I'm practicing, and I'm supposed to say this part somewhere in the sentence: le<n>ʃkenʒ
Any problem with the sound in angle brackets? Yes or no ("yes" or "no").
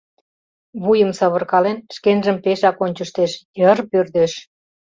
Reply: no